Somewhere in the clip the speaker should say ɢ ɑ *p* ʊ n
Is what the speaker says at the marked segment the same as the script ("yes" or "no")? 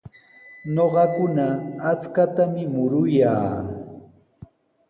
no